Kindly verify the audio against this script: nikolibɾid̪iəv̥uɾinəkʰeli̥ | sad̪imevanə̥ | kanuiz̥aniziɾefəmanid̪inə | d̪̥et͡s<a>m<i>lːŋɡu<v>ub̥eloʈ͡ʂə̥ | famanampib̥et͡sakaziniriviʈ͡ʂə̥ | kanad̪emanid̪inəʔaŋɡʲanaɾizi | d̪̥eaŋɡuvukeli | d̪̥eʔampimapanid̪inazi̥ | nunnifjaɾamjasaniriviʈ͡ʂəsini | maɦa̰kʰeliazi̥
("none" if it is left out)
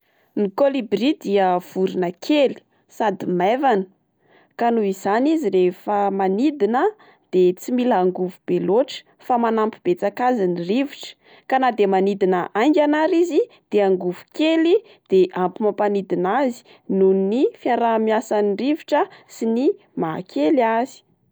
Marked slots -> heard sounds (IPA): i, i, v

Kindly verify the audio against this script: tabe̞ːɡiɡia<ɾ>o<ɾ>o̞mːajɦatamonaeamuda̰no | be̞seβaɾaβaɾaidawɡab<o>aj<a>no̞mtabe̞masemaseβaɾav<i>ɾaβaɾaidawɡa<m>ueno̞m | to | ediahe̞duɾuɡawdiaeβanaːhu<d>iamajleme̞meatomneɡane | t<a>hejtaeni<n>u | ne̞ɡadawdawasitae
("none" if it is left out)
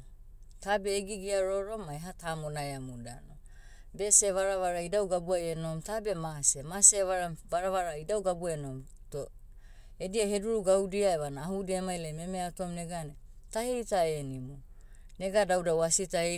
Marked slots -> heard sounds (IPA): ɾ, ɾ, u, e, a, b, d, a, m

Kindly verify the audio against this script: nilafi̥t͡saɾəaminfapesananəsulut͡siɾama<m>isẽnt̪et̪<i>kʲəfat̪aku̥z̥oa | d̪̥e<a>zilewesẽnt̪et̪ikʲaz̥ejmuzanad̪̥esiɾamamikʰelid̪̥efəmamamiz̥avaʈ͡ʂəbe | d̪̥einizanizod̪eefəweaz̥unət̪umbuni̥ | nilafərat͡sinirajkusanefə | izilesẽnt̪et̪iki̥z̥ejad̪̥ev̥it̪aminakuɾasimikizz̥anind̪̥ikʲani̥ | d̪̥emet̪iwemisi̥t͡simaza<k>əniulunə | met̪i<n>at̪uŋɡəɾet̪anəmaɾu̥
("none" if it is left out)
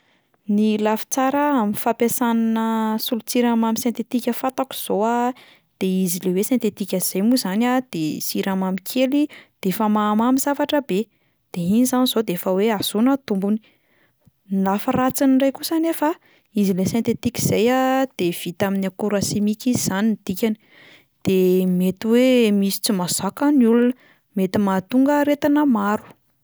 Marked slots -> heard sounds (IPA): m, i, i, k, m

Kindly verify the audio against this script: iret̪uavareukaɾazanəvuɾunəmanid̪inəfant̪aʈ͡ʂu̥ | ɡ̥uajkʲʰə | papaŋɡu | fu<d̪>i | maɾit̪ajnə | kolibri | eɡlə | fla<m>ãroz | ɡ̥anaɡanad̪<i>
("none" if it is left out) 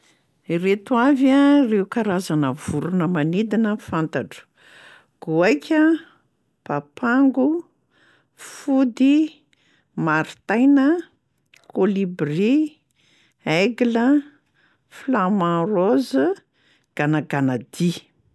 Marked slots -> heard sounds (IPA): d̪, m, i

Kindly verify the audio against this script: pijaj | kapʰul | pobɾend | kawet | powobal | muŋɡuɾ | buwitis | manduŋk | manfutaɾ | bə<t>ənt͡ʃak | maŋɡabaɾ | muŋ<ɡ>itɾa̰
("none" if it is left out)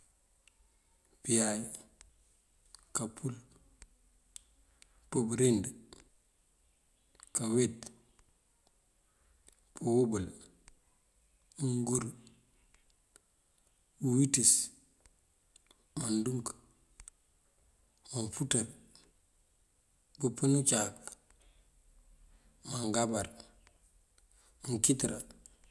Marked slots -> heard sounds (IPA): p, k

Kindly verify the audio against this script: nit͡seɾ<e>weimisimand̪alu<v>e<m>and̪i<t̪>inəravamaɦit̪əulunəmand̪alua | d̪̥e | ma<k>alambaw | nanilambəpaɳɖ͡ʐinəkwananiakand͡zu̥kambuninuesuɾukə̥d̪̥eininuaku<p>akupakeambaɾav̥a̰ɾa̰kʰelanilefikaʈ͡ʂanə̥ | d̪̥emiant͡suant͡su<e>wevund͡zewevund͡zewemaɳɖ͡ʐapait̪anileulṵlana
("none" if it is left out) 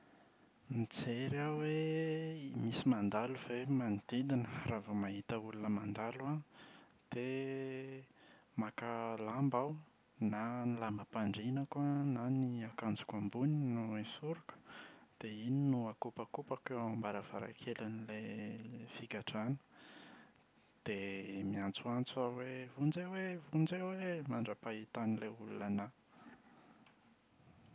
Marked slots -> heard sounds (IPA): a, v, m, d̪, k, p, a

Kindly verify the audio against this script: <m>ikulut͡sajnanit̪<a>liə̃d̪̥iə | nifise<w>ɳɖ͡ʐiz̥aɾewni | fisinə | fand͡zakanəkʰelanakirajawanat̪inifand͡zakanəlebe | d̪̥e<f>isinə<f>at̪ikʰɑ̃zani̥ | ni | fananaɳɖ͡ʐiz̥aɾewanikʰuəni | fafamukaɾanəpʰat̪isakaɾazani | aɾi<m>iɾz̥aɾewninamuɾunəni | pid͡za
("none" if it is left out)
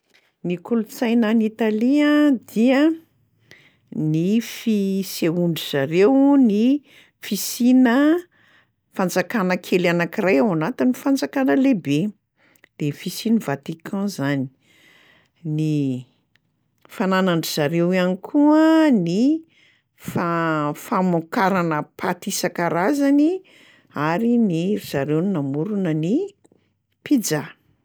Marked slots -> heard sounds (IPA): n, a, u, f, v, n

